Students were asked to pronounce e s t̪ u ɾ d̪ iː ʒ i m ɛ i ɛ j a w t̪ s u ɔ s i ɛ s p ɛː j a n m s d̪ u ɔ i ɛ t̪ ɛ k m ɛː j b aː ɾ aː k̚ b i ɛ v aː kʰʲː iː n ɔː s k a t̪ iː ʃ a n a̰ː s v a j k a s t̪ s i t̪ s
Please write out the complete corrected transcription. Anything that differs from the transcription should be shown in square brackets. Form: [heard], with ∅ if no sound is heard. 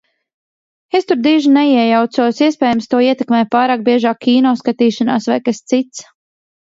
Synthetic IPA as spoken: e s t̪ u ɾ d̪ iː ʒ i [n] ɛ i ɛ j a w t̪ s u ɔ s i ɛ s p ɛː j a [∅] m s [t̪] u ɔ i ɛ t̪ ɛ k m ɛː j [p] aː ɾ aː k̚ b i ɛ [ʒ] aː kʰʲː iː n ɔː s k a t̪ iː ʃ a n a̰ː s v a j k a s t̪ s i t̪ s